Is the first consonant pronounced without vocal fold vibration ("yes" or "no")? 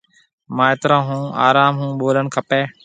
no